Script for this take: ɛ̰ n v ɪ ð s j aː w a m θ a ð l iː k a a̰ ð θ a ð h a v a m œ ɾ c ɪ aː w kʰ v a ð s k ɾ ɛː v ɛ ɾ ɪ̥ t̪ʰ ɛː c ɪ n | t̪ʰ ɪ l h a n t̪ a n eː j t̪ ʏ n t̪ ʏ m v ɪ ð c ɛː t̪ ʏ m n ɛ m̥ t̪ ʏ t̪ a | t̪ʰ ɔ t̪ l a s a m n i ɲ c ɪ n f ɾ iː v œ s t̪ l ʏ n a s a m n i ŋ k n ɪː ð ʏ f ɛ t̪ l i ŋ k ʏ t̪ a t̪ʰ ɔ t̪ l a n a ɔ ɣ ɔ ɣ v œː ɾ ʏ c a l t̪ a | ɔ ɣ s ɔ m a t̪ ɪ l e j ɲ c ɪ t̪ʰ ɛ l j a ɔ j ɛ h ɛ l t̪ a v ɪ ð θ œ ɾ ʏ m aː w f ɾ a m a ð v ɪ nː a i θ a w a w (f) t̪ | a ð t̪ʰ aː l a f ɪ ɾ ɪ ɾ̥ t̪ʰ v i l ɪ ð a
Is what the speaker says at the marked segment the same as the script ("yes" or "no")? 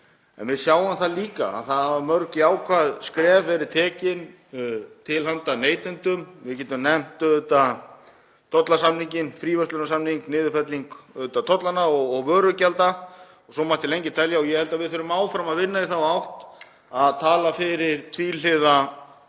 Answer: no